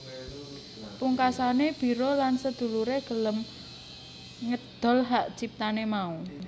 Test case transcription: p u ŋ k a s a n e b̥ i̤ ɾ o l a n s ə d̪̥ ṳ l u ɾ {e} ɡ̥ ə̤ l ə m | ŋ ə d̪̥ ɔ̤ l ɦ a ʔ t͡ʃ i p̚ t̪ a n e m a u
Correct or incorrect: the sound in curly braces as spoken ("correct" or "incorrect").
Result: correct